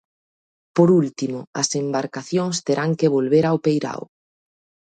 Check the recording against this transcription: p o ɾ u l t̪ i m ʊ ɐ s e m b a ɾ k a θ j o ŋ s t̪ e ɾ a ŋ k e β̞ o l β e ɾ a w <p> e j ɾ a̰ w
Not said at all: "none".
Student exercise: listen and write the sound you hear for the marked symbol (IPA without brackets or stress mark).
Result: p